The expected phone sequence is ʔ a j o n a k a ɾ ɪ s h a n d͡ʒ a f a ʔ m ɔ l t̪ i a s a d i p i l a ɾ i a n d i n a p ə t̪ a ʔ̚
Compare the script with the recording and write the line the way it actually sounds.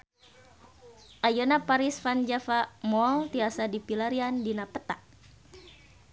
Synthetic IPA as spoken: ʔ a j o n a p a ɾ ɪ s f a n d͡ʒ a f a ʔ m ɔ l t̪ i a s a d i p i l a ɾ i a n d i n a p ə t̪ a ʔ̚